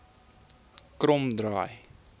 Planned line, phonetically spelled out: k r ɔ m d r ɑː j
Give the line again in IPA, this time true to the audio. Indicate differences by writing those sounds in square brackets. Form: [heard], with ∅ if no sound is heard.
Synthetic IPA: k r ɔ m d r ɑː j

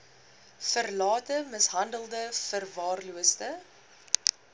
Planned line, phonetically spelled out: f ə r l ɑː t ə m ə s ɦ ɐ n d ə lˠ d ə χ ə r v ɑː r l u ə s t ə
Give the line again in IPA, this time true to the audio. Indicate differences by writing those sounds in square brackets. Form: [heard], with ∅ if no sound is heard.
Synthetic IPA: f ə r l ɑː t ə m ə s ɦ ɐ n d ə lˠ d ə [f] ə r v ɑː r l u ə s t ə

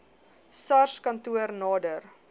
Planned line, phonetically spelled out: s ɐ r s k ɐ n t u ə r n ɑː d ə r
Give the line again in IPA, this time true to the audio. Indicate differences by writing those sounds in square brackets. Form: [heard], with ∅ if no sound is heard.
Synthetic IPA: s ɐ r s k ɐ n t u ə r n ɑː d ə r

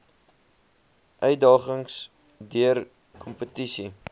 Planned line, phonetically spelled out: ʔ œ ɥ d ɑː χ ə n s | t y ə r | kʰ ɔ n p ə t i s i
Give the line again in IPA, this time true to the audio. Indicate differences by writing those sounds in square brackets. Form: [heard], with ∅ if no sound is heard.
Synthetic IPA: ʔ œ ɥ d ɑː χ ə [ŋ] s | [d] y ə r | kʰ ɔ [m] p ə t i s i

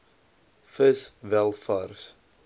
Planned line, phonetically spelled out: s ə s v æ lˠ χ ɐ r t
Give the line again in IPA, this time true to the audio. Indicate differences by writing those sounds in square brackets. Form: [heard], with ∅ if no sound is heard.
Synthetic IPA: [f] ə s v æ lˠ [f] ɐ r [s]

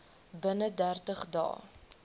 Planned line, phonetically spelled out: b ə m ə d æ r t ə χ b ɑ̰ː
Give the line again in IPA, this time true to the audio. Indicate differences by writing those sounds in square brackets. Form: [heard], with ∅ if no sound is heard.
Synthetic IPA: b ə [n] ə d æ r t ə χ [d] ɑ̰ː

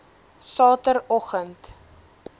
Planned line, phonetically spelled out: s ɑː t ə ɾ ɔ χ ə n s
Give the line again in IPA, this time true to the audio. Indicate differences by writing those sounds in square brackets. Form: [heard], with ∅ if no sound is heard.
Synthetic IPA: s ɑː t ə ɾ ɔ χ ə n [t]

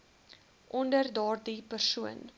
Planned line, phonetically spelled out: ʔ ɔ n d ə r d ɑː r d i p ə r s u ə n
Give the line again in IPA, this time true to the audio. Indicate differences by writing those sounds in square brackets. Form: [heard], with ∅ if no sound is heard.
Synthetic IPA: ʔ ɔ n d ə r d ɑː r d i p ə r s u ə n

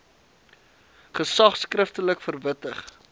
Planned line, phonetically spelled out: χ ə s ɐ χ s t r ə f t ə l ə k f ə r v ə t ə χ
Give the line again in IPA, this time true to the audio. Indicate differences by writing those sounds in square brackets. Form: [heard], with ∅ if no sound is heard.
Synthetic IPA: χ ə s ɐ χ s [k] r ə f t ə l ə k f ə r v ə t ə χ

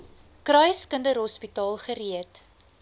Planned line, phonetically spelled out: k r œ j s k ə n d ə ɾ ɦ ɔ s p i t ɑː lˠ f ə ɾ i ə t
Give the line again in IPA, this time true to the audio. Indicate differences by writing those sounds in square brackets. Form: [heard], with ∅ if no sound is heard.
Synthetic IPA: k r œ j s k ə n d ə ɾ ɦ ɔ s p i t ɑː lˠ [χ] ə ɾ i ə t

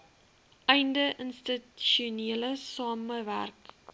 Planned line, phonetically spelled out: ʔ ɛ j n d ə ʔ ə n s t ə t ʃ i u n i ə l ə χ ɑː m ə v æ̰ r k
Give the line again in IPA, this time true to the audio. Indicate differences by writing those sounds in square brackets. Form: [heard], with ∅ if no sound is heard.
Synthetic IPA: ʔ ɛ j n d ə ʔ ə n s t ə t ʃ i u n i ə l ə [s] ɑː m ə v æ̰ r k

